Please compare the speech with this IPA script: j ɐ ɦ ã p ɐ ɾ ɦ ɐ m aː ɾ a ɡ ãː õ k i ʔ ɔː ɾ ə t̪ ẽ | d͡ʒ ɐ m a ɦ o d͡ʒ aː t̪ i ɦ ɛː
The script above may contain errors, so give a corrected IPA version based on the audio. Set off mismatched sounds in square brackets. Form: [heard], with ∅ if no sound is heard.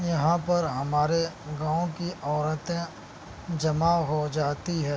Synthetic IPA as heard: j ɐ ɦ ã p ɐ ɾ ɦ ɐ m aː ɾ [e] ɡ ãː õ k i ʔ ɔː ɾ ə t̪ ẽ | d͡ʒ ɐ m a ɦ o d͡ʒ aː t̪ i ɦ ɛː